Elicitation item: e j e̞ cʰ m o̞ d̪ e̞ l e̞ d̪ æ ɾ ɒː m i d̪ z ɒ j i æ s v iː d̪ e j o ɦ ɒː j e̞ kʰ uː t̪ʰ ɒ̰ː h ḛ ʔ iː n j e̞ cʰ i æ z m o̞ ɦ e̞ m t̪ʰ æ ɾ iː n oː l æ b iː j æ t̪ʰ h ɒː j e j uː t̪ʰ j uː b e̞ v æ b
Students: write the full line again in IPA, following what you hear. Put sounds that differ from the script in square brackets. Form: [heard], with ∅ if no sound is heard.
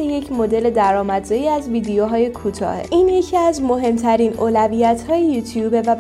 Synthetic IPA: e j e̞ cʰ m o̞ d̪ e̞ l e̞ d̪ æ ɾ ɒː m [æ] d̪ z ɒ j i æ [z] v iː d̪ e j o ɦ ɒː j e̞ kʰ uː t̪ʰ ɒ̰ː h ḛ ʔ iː n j e̞ cʰ i æ z m o̞ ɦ e̞ m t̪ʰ æ ɾ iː n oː l æ [v] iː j æ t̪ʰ h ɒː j e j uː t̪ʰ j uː b e̞ v æ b